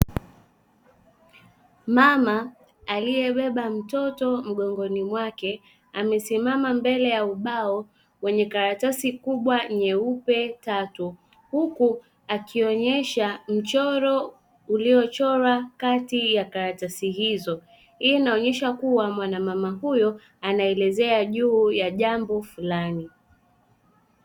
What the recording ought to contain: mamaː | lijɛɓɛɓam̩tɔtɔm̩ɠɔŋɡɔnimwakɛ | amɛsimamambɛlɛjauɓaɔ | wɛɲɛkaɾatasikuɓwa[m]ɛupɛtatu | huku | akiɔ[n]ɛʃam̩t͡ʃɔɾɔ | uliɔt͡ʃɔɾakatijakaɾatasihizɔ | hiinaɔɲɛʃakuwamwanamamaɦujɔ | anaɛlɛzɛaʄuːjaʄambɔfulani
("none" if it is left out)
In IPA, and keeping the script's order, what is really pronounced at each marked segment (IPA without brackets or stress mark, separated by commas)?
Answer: ɲ, ɲ